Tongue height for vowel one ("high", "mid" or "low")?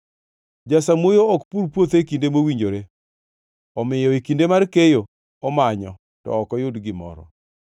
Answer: low